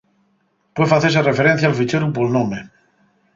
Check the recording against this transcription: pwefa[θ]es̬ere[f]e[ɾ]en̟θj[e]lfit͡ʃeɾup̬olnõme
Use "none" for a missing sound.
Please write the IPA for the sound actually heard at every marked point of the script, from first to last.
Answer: θ, f, ɾ, a

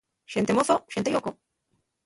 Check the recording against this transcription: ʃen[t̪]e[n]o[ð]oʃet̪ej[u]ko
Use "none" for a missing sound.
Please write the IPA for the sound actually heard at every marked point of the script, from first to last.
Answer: t̪, m, θ, o

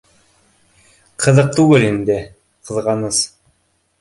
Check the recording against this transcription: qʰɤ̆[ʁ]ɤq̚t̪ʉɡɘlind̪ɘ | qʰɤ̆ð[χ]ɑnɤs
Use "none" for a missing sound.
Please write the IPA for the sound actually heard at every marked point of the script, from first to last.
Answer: ð, ʁ

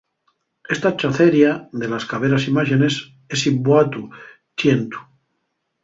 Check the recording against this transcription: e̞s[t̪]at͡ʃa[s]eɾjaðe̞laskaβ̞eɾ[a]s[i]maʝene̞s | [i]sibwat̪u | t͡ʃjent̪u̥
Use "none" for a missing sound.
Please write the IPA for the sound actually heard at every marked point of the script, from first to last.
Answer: t̪, θ, a, i, e

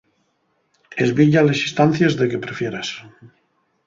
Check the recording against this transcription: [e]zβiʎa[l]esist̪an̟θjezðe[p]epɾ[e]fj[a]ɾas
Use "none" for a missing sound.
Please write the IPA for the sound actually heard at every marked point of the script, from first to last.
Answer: e, l, k, e, e

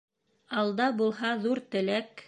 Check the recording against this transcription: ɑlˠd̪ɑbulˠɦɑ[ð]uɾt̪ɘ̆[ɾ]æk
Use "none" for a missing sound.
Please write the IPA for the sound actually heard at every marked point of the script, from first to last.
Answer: ð, l

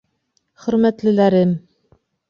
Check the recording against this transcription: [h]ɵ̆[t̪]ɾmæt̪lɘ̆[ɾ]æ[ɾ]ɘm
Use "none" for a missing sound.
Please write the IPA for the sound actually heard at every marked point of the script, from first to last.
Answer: χ, none, l, ɾ

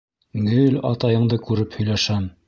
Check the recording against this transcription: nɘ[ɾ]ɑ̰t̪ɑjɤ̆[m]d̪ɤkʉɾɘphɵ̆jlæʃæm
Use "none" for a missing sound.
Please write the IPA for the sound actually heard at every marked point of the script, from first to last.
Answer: l, ɴ

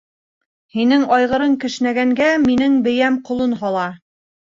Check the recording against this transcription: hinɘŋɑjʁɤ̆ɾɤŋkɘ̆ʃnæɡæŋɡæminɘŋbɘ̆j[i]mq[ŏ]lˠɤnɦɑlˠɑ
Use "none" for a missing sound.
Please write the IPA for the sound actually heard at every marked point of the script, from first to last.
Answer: æ, ŏ

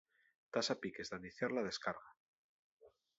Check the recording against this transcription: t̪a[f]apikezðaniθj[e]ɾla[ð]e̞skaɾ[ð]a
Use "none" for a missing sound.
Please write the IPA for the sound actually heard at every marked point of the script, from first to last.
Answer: s, a, ð, ɣ

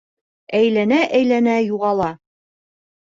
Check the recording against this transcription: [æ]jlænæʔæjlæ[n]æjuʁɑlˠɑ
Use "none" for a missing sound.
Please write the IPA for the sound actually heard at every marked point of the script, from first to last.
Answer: æ, n

